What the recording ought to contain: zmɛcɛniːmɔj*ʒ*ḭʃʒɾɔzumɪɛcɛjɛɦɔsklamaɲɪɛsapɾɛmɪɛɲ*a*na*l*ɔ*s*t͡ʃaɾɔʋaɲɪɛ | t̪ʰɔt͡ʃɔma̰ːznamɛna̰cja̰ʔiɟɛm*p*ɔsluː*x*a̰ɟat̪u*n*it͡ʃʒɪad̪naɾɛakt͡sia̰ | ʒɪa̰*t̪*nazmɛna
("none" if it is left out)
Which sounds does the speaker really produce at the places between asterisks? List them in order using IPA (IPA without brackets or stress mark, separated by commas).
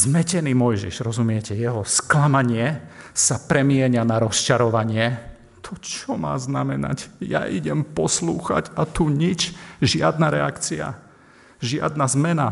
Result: ʒ, a, ɾ, s, p, x, ɲ, d̪